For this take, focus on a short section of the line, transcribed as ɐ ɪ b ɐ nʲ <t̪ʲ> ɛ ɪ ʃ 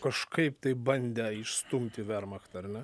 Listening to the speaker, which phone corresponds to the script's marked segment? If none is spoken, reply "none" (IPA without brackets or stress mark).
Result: d̪ʲ